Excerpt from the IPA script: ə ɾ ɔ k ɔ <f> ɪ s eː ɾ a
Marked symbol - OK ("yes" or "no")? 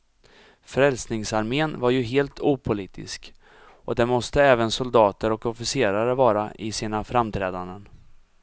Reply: yes